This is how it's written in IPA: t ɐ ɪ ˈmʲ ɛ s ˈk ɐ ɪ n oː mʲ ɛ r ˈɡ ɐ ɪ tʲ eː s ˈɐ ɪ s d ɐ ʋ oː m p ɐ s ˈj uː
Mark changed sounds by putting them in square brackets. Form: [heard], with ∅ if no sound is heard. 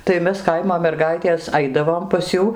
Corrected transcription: t ɐ ɪ ˈmʲ ɛ s ˈk ɐ ɪ [m] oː mʲ ɛ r ˈɡ ɐ ɪ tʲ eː s ˈɐ ɪ [∅] d ɐ ʋ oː m p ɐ s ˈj uː

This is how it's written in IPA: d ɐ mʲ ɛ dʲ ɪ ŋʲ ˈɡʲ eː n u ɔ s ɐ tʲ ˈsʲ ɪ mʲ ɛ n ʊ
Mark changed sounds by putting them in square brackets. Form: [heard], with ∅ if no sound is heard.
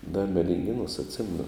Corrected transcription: d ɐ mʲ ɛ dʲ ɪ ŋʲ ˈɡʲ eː n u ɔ s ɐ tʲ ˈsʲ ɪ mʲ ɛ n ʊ

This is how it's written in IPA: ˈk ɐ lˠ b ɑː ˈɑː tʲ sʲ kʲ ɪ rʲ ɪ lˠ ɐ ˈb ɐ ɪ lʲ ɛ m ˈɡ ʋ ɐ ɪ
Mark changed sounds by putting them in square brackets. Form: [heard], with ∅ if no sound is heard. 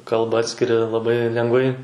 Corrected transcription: ˈk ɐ lˠ b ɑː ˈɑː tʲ sʲ kʲ ɪ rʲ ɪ lˠ ɐ ˈb ɐ ɪ lʲ ɛ [ŋ] ˈɡ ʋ ɐ ɪ

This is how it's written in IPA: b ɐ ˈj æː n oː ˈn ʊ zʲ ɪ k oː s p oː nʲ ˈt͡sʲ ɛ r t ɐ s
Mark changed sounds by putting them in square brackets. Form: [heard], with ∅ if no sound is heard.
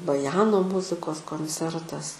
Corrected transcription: b ɐ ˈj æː n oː [ˈm] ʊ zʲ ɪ k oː s [k] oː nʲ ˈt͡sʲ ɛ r t ɐ s

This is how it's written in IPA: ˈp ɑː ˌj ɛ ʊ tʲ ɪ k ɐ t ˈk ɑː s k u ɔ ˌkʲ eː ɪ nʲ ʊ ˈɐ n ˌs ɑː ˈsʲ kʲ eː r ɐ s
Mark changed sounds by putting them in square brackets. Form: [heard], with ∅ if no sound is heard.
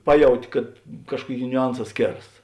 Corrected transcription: ˈp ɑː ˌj ɛ ʊ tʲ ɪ k ɐ t ˈk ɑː [ʃ] k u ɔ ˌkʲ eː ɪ nʲ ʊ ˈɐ n ˌs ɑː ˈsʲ kʲ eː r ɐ s

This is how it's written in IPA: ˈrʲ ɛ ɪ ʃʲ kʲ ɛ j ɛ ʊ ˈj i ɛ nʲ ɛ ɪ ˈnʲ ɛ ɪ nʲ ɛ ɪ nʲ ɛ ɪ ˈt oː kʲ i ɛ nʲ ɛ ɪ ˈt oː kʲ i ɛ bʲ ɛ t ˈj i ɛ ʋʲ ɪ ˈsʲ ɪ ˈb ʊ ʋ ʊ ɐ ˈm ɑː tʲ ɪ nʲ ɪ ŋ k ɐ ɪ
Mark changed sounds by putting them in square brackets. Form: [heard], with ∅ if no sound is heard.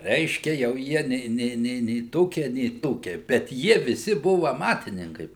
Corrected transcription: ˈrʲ ɛ ɪ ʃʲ kʲ ɛ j ɛ ʊ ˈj i ɛ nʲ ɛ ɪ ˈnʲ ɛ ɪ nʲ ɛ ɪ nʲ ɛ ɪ ˈt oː kʲ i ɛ nʲ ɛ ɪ ˈt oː kʲ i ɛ bʲ ɛ t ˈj i ɛ ʋʲ ɪ ˈsʲ ɪ ˈb ʊ ʋ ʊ ɐ ˈm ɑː tʲ ɪ nʲ ɪ ŋ k ɐ ɪ

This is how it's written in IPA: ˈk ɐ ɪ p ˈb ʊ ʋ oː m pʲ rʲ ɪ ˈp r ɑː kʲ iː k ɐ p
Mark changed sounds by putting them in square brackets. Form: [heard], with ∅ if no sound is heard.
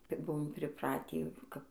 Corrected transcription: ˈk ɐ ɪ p ˈb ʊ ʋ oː m pʲ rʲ ɪ ˈp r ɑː [tʲ] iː k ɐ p

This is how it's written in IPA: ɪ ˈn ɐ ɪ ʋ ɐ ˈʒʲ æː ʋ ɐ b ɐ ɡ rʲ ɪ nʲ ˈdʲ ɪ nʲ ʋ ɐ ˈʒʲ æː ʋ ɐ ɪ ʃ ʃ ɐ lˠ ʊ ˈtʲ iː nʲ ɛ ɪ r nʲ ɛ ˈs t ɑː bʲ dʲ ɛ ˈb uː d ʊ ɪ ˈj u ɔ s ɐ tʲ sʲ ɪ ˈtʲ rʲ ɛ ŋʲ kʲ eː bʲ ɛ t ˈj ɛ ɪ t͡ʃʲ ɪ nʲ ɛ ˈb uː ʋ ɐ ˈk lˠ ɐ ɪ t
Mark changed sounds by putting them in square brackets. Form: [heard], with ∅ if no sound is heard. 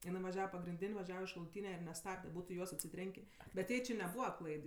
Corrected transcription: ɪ ˈn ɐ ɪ ʋ ɐ ˈʒʲ æː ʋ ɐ [p] ɐ ɡ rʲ ɪ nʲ ˈdʲ ɪ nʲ ʋ ɐ ˈʒʲ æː ʋ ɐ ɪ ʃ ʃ ɐ lˠ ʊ ˈtʲ iː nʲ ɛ ɪ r nʲ ɛ ˈs t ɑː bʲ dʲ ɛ ˈb uː [t] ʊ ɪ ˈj u ɔ s ɐ tʲ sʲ ɪ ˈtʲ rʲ ɛ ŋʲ kʲ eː bʲ ɛ t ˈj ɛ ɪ t͡ʃʲ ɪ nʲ ɛ ˈb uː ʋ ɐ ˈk lˠ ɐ ɪ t

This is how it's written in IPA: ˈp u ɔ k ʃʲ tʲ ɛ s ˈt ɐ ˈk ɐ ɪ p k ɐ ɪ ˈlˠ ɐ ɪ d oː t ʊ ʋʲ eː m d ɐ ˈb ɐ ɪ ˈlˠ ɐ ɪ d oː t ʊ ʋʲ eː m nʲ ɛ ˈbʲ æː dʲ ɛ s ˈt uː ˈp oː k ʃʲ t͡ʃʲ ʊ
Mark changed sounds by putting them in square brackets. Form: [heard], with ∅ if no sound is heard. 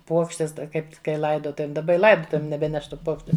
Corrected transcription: ˈp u ɔ k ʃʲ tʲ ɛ s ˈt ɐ ˈk ɐ ɪ p k ɐ ɪ ˈlˠ ɐ ɪ d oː t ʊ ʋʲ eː m d ɐ ˈb ɐ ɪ ˈlˠ ɐ ɪ d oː t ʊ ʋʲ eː m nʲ ɛ ˈbʲ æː [nʲ] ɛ [ʃ] ˈt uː ˈp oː k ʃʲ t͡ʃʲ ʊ

